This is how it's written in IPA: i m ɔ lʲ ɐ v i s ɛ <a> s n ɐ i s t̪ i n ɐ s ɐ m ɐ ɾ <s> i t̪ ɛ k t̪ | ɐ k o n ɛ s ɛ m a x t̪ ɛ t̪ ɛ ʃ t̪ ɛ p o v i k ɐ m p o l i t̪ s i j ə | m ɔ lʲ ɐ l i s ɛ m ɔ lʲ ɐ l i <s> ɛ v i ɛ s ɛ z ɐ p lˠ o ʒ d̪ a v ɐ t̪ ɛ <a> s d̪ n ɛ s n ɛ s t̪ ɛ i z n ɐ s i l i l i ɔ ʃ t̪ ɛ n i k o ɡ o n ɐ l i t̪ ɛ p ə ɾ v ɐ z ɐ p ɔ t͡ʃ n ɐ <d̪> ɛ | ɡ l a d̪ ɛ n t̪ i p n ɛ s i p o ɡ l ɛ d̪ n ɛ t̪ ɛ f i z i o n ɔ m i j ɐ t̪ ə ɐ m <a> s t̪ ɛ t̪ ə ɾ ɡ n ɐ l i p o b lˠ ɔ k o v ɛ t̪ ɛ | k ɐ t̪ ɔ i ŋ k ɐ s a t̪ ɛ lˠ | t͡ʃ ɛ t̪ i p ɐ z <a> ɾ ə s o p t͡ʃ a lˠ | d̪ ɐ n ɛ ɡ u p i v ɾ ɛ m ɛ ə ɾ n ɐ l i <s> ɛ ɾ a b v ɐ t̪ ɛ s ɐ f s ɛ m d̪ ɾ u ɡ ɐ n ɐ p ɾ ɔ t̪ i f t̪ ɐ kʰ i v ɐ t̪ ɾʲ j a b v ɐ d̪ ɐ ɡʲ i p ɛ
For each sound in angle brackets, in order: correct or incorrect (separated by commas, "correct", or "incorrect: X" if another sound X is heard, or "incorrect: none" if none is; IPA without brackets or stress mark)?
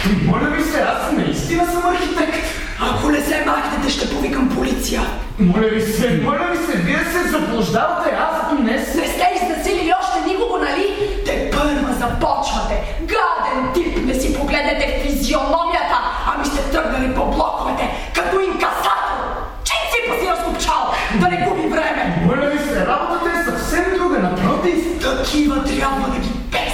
correct, incorrect: x, correct, correct, incorrect: t̪, incorrect: i, incorrect: i, correct